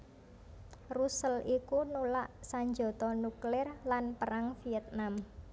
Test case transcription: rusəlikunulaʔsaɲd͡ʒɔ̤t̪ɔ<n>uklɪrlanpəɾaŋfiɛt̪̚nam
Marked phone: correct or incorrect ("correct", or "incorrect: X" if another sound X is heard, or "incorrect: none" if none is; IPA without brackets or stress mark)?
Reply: correct